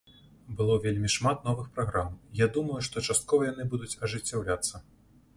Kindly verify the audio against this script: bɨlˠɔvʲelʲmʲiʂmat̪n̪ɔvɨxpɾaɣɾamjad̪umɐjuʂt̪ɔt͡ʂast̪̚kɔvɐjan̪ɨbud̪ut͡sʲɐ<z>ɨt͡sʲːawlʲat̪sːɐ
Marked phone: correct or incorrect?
incorrect